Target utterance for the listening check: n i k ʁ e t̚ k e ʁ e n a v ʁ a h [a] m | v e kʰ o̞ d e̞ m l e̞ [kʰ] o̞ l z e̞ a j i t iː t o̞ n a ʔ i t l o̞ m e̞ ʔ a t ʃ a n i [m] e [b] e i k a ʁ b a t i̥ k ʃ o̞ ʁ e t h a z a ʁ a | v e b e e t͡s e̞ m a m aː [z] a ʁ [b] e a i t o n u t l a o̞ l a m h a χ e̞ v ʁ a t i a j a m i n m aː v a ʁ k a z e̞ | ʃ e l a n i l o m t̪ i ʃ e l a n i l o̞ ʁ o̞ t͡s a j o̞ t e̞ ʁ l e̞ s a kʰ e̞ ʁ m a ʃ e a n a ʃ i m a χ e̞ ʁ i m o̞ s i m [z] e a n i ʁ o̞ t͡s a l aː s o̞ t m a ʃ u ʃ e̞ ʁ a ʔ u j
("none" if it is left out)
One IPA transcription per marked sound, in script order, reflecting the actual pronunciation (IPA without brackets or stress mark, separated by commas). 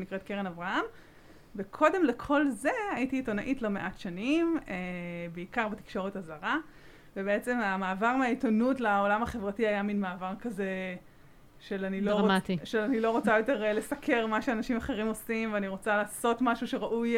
a, kʰ, m, b, v, m, v